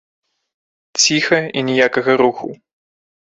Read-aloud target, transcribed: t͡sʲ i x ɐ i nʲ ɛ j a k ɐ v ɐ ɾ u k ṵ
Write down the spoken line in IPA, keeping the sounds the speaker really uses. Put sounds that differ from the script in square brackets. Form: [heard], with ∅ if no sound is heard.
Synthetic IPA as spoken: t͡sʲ i x ɐ i nʲ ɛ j a k ɐ [ɣ] ɐ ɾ u [x] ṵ